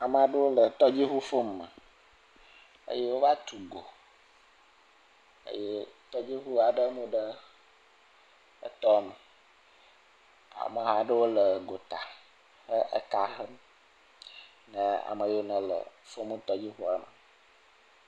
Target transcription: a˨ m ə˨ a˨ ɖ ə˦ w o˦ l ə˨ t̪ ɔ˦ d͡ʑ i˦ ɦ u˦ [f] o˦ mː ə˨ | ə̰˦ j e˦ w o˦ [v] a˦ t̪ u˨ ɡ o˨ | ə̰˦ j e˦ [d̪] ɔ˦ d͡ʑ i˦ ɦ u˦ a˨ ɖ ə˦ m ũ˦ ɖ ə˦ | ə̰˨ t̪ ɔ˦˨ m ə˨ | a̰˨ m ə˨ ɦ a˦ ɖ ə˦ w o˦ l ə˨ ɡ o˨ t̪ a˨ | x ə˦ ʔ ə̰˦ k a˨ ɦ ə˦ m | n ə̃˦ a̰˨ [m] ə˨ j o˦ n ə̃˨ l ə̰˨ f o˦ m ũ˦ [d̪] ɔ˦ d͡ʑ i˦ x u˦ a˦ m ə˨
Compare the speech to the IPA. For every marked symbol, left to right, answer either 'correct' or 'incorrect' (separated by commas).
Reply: correct, correct, incorrect, correct, incorrect